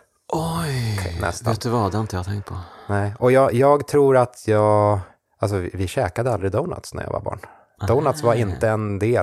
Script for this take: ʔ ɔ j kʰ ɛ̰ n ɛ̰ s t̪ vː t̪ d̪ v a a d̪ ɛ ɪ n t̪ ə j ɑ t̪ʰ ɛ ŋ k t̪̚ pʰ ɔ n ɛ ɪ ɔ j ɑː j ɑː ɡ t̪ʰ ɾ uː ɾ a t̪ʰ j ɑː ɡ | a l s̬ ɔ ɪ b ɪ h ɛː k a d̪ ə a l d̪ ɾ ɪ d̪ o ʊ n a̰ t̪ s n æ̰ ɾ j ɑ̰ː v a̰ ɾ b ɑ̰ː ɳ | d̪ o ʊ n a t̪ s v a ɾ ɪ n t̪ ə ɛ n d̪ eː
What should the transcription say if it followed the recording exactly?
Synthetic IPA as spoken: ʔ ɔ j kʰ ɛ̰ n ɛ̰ s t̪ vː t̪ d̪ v a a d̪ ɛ ɪ n t̪ ə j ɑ t̪ʰ ɛ ŋ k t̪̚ pʰ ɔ n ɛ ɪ ɔ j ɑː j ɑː ɡ t̪ʰ ɾ uː ɾ a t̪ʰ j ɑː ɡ | a l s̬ ɔ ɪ v ɪ ɕ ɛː k a d̪ ə a l d̪ ɾ ɪ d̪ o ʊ n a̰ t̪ s n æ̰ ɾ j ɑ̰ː v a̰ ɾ b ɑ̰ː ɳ | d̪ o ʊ n a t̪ s v a ɾ ɪ n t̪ ə ɛ n d̪ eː